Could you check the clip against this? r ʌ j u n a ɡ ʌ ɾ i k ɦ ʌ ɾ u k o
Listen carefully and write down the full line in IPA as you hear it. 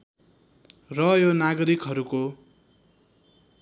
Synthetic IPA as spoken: r ʌ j o n a ɡ ʌ ɾ i k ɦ ʌ ɾ u k o